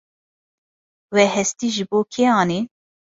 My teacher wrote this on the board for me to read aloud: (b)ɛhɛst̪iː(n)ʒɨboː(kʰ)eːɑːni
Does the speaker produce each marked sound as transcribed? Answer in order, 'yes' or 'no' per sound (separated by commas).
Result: no, no, yes